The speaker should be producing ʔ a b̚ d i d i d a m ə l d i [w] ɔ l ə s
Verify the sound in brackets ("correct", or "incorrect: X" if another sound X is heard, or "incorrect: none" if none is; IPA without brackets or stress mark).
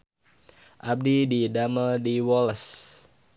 correct